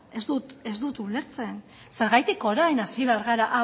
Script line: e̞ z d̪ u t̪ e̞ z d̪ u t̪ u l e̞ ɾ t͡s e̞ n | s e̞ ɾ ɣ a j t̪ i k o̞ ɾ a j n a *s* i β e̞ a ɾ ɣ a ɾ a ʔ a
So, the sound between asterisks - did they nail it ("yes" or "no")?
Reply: yes